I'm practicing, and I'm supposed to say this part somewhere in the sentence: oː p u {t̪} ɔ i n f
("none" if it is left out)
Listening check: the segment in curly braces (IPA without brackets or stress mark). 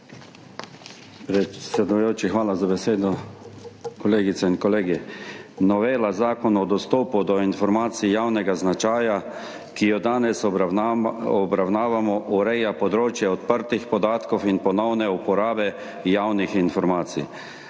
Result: d̪